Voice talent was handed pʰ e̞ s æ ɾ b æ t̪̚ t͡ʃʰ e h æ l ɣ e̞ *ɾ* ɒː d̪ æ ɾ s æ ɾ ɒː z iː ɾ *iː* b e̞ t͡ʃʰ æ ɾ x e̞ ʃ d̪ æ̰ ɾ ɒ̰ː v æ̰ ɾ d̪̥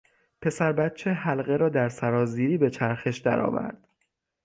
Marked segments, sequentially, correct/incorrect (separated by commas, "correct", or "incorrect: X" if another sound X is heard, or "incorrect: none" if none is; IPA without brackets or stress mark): correct, correct